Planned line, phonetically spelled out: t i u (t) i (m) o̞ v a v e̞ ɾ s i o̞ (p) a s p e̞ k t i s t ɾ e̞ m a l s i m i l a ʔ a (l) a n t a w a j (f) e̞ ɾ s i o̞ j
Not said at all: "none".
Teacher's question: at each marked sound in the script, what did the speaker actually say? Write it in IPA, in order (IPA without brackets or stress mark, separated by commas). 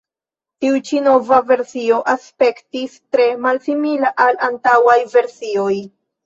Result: t͡ʃ, n, ʔ, l, v